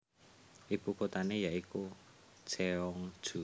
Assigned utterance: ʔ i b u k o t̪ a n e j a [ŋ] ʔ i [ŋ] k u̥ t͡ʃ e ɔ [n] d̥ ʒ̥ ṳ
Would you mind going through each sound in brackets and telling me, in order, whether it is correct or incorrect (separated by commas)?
incorrect, incorrect, incorrect